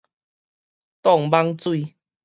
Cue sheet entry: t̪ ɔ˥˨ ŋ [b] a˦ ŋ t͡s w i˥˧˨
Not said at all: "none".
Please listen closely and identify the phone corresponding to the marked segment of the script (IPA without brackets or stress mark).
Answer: b